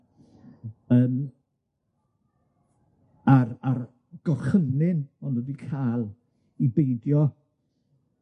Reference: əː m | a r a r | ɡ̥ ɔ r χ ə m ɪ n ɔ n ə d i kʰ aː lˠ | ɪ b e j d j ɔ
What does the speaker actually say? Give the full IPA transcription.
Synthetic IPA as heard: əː m | a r a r | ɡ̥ ɔ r χ ə n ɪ n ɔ n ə d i kʰ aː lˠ | i b e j d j ɔ